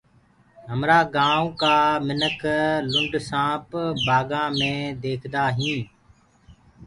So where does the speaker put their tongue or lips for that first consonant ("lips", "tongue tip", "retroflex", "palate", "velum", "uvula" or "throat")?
throat